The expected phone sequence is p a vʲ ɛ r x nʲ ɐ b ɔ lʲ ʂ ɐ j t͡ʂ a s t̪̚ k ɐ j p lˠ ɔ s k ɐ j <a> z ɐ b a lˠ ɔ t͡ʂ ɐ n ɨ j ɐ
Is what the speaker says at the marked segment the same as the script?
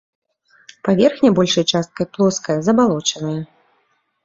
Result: no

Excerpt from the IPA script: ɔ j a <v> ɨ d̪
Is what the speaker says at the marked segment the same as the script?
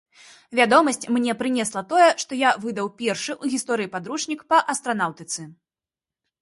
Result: yes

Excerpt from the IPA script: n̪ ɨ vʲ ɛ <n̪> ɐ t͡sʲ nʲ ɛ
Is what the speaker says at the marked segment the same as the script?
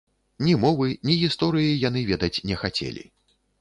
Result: no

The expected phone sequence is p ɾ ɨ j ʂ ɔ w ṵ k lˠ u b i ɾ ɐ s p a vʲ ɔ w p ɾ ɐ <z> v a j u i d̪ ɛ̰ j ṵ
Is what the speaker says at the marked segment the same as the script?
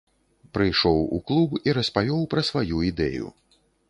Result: no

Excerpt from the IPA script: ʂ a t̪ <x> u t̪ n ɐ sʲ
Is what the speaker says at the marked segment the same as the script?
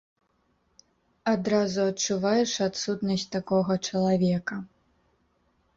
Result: no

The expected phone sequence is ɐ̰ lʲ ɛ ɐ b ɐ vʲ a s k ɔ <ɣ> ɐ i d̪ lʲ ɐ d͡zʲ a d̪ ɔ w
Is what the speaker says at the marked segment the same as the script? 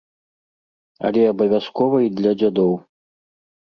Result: no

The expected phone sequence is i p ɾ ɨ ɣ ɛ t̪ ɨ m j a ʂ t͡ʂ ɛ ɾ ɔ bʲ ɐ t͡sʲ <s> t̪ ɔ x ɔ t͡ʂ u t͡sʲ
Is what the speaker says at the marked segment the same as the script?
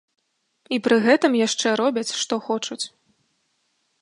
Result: no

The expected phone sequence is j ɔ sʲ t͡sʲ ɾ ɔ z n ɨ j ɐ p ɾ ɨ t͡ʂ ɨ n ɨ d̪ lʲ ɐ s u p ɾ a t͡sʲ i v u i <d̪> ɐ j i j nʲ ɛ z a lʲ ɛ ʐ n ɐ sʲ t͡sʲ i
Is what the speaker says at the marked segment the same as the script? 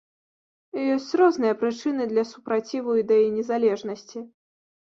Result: yes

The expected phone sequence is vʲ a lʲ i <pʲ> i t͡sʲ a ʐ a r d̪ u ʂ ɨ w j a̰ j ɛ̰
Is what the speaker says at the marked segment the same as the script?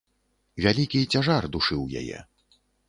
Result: no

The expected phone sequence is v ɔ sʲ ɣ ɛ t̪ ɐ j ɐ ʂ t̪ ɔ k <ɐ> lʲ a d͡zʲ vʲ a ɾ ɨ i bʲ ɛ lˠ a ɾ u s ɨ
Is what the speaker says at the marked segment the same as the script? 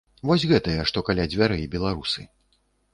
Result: no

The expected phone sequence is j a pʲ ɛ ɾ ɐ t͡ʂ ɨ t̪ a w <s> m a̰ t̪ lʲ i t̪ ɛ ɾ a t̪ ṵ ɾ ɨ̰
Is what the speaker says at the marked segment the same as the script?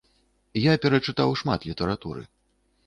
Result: no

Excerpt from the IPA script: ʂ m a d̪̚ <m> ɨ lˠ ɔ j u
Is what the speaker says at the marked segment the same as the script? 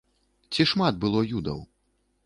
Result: no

